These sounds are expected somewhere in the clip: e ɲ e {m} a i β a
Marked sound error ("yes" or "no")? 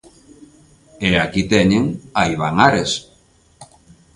yes